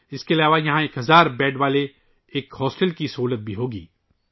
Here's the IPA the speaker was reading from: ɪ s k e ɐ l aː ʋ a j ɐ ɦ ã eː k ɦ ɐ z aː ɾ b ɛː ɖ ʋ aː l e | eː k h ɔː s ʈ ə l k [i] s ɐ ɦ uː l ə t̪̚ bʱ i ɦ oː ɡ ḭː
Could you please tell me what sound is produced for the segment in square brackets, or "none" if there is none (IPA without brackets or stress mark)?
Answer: i